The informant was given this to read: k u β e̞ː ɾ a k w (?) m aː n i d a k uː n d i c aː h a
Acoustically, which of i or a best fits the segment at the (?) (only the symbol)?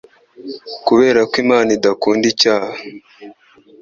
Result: i